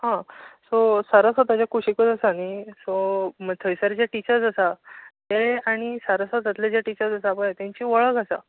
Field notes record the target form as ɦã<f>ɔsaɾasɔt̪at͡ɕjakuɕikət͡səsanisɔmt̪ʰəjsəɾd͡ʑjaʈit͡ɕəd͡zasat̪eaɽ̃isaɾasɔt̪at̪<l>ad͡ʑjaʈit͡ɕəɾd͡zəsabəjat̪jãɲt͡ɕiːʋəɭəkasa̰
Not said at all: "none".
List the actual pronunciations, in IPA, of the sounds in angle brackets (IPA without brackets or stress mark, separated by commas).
s, l